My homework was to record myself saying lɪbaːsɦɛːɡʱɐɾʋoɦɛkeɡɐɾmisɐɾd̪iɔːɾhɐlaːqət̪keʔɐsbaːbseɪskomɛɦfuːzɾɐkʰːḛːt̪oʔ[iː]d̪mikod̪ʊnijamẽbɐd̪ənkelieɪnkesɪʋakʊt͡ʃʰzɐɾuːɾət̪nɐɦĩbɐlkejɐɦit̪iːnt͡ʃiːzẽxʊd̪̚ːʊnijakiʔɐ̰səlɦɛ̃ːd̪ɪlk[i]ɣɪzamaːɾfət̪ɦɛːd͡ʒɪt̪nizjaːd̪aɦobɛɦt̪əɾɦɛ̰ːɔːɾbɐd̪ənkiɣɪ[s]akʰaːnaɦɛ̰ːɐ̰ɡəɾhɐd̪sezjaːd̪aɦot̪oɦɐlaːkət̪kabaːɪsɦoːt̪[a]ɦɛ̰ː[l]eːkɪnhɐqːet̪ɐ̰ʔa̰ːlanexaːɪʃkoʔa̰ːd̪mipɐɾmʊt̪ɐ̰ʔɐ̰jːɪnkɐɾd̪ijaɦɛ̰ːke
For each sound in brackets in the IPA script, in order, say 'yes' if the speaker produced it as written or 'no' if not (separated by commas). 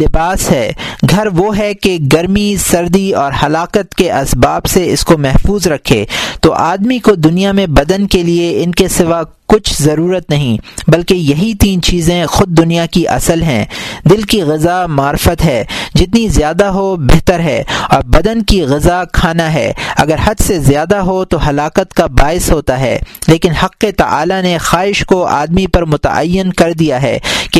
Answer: no, yes, no, yes, yes